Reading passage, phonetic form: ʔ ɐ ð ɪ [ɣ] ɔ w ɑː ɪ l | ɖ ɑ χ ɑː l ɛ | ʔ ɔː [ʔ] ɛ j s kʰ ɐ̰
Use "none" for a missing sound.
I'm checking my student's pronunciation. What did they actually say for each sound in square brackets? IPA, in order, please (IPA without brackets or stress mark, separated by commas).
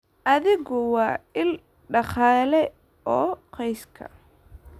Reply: ɣ, q